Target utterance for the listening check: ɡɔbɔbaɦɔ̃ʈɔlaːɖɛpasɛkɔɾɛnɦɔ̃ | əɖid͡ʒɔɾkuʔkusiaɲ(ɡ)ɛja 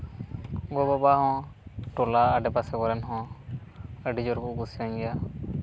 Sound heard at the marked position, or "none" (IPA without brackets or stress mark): ɡ